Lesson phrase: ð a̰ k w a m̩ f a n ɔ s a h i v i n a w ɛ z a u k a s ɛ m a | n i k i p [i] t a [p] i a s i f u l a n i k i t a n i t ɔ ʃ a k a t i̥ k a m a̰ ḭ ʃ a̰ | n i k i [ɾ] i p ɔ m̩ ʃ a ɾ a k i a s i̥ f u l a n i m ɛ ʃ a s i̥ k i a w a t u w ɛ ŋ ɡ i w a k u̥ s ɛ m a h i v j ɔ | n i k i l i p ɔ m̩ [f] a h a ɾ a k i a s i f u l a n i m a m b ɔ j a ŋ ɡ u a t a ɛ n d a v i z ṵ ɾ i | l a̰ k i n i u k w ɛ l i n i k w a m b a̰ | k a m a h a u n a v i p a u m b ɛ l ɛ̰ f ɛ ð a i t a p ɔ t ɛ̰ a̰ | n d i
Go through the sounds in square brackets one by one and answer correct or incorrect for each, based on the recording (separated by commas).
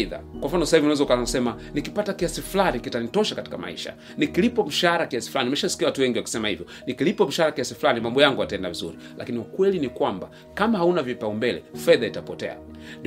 incorrect, incorrect, incorrect, incorrect